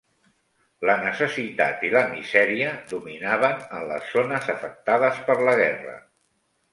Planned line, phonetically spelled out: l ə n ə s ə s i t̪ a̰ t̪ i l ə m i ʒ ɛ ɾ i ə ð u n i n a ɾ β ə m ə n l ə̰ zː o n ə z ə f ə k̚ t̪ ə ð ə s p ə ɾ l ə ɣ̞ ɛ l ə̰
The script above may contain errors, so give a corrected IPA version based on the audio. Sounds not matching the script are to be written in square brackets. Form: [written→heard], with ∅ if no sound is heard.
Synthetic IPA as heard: l ə n ə s ə s i t̪ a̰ t̪ i l ə m i [ʒ→z] ɛ ɾ i ə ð u [n→m] i n a [ɾ→∅] β ə [m→n] ə n l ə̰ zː o n ə z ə f ə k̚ t̪ [ə→a] ð ə s p ə ɾ l ə ɣ̞ ɛ [l→r] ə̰

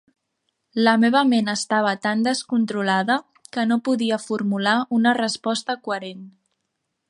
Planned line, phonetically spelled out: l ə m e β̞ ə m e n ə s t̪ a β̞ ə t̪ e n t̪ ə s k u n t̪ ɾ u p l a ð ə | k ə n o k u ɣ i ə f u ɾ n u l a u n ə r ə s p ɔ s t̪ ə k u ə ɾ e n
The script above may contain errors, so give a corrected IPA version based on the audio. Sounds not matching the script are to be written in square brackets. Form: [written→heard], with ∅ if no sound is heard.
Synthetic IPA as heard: l ə m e β̞ ə m e n ə s t̪ a β̞ ə t̪ [e→a] n [t̪→d̪] ə s k u n t̪ ɾ u [p→∅] l a ð ə | k ə n o [k→p] u [ɣ→ð] i ə f u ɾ [n→m] u l a u n ə r ə s p ɔ s t̪ ə k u ə ɾ e n

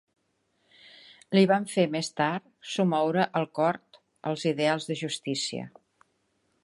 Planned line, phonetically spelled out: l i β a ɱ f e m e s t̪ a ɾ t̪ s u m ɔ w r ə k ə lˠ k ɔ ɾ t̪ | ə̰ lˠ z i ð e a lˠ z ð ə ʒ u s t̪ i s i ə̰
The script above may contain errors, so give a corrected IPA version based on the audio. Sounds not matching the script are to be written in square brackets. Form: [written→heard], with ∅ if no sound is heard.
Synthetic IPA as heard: l i β a ɱ f e m e s t̪ a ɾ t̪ s u m ɔ w [r→ɾ] ə [k→ʔ] ə lˠ k ɔ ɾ t̪ | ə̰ lˠ z i ð e a lˠ z ð ə ʒ u s t̪ i s i ə̰

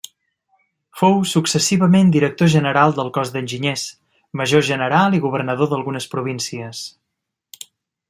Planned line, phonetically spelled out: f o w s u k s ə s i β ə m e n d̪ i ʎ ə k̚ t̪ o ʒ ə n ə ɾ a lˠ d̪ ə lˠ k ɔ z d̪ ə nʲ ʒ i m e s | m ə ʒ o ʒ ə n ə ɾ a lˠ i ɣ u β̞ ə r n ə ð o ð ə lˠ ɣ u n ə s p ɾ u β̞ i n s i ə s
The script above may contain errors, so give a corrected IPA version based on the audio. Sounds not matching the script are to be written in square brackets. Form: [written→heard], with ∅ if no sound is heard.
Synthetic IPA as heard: f o w s u k s ə s i β ə m e n d̪ i [ʎ→ɾ] ə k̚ t̪ o ʒ ə n ə ɾ a lˠ d̪ ə lˠ k ɔ z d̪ ə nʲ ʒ i [m→ɲ] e s | m ə ʒ o ʒ ə n ə ɾ a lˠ i ɣ u β̞ ə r n ə ð o ð ə lˠ ɣ u n ə s p ɾ u β̞ i n s i ə s

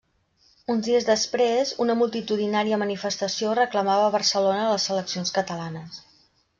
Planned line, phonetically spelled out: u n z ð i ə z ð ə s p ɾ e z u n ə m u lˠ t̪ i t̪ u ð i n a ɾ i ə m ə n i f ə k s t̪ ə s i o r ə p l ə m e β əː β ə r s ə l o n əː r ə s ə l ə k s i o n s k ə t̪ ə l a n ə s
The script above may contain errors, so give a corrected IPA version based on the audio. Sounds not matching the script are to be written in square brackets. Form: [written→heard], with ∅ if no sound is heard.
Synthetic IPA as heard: u n z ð i ə z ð ə s p ɾ e z u n ə m u lˠ t̪ i t̪ u ð i n a ɾ i ə m ə n i f ə [k→∅] s t̪ ə s i o r ə [p→k] l ə m [e→a] β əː β ə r s ə l o n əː [r→l] ə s ə l ə k s i o n s k ə t̪ ə l a n ə s

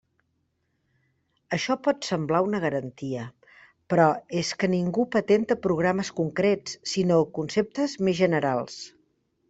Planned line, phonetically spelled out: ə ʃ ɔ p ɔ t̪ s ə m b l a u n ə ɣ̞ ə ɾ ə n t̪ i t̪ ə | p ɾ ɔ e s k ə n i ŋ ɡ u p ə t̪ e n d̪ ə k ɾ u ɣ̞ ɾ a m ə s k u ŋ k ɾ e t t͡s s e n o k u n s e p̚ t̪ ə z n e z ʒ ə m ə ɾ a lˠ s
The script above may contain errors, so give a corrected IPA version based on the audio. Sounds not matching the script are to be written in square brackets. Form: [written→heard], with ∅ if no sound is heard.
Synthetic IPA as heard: ə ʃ ɔ p ɔ t̪ s ə m b l a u n ə ɣ̞ ə ɾ ə n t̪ i [t̪→∅] ə | p ɾ ɔ e s k ə n i ŋ ɡ u p ə t̪ e n [d̪→t̪] ə [k→p] ɾ u ɣ̞ ɾ a m ə s k u ŋ k ɾ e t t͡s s [e→i] n o k u n s e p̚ t̪ ə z [n→m] e z ʒ ə [m→n] ə ɾ a lˠ s

